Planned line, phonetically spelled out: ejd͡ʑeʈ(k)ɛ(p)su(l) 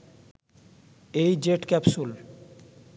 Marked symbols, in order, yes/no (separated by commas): yes, yes, yes